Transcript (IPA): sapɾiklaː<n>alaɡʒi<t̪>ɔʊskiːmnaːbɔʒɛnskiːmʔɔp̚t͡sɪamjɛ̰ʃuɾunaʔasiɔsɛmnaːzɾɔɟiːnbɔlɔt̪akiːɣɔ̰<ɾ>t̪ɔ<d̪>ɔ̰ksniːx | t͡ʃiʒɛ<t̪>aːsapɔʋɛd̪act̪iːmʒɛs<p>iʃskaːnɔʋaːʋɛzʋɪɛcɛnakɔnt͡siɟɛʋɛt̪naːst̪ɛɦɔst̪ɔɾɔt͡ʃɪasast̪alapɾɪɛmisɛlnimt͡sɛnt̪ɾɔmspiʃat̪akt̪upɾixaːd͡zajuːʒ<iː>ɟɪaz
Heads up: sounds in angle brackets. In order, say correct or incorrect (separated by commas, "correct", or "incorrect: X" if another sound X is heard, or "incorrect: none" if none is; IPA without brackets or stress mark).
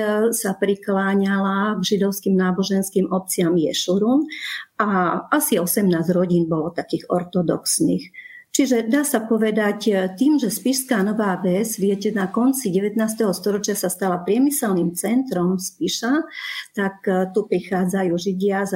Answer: incorrect: ɲ, incorrect: d̪, correct, correct, incorrect: d̪, correct, incorrect: i